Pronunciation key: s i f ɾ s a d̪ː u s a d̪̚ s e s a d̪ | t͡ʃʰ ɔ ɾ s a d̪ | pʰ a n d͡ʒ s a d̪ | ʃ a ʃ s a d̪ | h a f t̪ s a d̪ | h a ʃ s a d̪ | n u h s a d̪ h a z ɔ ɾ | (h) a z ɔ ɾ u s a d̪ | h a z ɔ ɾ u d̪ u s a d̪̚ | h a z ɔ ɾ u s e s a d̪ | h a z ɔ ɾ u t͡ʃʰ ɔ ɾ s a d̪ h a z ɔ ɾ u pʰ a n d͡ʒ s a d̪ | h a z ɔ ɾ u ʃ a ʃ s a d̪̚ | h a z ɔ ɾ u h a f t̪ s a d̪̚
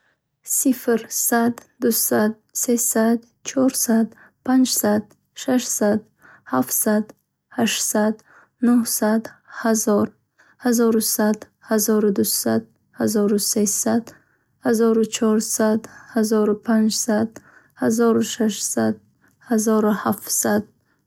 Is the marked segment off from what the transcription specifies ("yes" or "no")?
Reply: no